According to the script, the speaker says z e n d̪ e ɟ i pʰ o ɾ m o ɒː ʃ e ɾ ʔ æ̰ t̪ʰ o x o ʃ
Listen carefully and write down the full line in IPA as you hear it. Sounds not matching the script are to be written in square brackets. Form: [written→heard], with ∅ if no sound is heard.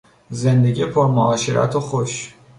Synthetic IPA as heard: z e n d̪ e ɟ i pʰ o ɾ m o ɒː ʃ e ɾ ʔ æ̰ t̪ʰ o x o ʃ